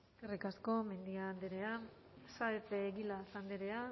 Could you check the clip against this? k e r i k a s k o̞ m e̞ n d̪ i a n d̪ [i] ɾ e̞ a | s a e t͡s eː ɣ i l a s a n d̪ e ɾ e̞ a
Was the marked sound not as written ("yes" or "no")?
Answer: yes